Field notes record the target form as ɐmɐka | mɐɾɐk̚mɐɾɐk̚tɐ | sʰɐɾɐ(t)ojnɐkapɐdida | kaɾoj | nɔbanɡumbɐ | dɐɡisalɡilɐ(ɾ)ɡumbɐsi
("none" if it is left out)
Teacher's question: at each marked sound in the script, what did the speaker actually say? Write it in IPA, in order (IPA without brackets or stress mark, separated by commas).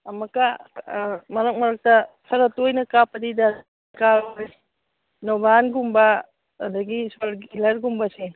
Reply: t, ɾ